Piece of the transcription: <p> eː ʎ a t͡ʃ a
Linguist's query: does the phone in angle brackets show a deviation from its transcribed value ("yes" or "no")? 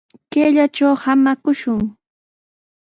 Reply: yes